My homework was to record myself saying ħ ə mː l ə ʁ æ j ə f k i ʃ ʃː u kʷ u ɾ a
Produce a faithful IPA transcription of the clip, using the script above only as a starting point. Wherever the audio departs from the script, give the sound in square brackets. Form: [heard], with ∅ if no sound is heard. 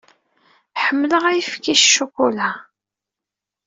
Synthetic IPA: ħ ə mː l ə ʁ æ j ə f k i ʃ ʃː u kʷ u [l] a